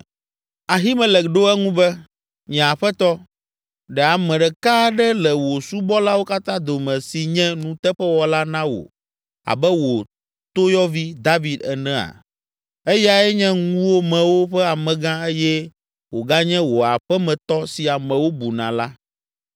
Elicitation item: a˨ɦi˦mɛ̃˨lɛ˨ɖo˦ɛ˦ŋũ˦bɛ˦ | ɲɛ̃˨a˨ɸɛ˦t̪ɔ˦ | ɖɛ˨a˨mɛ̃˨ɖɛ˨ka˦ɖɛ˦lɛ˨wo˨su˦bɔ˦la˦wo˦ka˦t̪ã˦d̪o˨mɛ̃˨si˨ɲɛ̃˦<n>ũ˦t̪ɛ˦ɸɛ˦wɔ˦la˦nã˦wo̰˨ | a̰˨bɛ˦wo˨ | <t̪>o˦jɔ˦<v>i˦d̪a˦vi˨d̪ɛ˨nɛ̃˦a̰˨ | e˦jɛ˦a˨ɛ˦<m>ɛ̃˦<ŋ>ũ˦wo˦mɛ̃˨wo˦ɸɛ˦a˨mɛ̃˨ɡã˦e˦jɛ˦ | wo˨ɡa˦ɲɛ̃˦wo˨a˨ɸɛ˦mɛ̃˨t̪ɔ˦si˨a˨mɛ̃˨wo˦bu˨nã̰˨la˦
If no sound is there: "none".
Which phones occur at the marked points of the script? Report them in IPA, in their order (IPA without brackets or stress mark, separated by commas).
n, t̪, v, ɲ, ŋ